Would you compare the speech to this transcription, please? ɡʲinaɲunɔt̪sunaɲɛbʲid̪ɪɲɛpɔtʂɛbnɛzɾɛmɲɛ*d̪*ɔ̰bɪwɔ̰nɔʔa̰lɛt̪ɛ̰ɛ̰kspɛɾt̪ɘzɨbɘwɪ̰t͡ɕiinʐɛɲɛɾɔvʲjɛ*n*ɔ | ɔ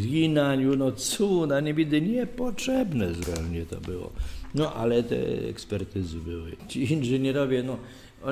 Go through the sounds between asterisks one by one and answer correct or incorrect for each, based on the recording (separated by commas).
incorrect, correct